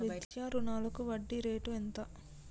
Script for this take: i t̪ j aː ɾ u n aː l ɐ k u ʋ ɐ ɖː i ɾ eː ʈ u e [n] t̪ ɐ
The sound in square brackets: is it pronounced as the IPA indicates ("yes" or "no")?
yes